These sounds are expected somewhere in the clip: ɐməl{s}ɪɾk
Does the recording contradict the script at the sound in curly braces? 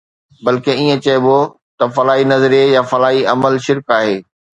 yes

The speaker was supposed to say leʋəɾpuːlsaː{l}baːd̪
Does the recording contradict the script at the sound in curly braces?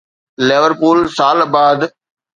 no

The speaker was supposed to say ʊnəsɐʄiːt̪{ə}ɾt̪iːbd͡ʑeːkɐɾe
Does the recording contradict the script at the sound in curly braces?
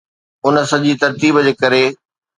yes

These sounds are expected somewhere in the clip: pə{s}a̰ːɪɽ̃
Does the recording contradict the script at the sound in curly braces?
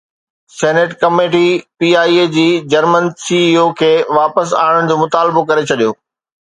no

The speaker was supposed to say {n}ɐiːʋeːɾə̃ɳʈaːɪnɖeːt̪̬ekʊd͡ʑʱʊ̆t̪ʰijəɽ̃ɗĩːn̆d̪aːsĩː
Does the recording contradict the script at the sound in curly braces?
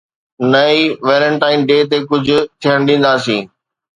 no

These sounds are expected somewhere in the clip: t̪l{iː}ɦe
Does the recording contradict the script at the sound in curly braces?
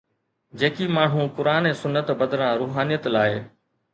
yes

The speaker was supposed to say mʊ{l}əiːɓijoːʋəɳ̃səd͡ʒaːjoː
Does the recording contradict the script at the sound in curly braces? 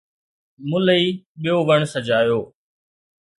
no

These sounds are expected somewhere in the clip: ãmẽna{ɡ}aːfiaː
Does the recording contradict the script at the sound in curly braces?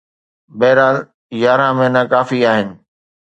yes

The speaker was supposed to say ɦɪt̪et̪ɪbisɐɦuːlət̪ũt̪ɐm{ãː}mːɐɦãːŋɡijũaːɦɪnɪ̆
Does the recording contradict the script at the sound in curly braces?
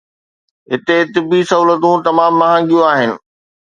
yes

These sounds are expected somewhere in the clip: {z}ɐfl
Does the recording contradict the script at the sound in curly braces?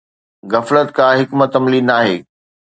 yes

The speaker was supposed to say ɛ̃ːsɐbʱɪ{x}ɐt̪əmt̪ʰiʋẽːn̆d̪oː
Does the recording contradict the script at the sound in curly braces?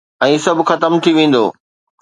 no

